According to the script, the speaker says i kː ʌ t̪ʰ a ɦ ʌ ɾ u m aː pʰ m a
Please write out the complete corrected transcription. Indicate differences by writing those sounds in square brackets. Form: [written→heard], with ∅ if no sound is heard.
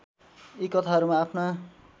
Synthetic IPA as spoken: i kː ʌ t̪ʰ a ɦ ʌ ɾ u m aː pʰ [m→n] a